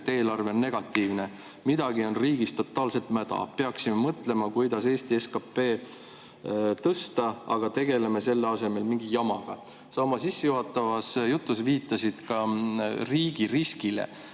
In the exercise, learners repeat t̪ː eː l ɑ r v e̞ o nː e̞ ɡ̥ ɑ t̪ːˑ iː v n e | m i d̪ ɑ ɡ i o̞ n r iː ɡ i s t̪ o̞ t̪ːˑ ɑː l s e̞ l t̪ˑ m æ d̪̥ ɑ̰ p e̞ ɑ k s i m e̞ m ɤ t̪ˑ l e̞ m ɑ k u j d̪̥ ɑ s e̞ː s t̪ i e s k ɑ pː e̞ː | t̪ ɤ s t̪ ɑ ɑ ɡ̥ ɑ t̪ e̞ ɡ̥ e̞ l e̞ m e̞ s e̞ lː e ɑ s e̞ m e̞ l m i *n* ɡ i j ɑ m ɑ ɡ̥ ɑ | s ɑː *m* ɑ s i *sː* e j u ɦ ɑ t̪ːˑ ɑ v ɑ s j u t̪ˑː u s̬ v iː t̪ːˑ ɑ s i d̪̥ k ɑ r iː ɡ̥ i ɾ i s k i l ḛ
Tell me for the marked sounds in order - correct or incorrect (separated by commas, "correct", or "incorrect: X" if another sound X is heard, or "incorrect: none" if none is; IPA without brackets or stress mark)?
incorrect: ŋ, correct, correct